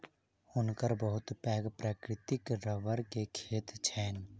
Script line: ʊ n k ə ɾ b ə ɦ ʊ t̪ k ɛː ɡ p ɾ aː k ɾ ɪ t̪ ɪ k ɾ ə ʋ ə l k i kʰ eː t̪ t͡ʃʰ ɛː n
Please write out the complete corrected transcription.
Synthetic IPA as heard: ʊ n k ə ɾ b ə ɦ ʊ t̪ p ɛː ɡ p ɾ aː k ɾ ɪ t̪ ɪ k ɾ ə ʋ ə ɾ k e kʰ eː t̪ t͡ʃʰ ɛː n